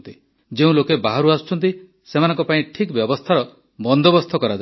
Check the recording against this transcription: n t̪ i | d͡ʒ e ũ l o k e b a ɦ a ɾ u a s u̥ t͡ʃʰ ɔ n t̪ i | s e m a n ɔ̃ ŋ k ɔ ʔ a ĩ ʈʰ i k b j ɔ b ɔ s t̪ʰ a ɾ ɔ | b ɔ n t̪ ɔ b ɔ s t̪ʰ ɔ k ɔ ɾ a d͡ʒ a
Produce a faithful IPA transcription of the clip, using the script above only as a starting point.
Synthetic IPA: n t̪ i | d͡ʒ e ũ l o k e b a ɦ a ɾ u a s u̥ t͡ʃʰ ɔ n t̪ i | s e m a n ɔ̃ ŋ k ɔ p a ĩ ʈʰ i k b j ɔ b ɔ s t̪ʰ a ɾ ɔ | b ɔ n d̪ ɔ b ɔ s t̪ʰ ɔ k ɔ ɾ a d͡ʒ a